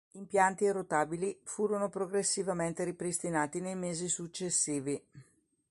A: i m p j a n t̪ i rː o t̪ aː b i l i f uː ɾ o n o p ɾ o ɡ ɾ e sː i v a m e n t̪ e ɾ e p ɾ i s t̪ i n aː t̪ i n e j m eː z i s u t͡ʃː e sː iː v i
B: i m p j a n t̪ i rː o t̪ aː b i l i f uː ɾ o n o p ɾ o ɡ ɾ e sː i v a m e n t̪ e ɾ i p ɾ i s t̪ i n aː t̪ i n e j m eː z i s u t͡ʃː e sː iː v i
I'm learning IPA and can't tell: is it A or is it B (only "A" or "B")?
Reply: B